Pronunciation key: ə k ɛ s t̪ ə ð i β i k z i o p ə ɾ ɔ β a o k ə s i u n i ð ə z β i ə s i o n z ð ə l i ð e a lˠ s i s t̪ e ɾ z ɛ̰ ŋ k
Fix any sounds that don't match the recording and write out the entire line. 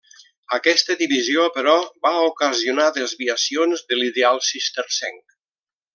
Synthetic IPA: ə k ɛ s t̪ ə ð i β i z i o p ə ɾ ɔ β a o k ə z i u n a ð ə z β i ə s i o n z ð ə l i ð e a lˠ s i s t̪ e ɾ s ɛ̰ ŋ k